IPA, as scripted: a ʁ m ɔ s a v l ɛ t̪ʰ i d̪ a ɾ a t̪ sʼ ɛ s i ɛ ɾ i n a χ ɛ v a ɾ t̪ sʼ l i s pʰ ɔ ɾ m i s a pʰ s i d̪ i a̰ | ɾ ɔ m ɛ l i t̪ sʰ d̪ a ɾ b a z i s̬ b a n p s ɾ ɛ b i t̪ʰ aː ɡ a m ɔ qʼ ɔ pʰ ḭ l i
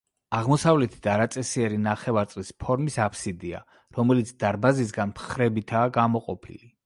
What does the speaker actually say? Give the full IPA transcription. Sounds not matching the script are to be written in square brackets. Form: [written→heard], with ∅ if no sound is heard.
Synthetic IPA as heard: a ʁ m ɔ s a v l ɛ t̪ʰ i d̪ a ɾ a t̪ sʼ ɛ s i ɛ ɾ i n a χ ɛ v a ɾ t̪ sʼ l i s pʰ ɔ ɾ m i s a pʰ s i d̪ i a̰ | ɾ ɔ m ɛ l i t̪ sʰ d̪ a ɾ b a z i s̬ [b→ɡ] a n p [s→χ] ɾ ɛ b i t̪ʰ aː ɡ a m ɔ qʼ ɔ pʰ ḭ l i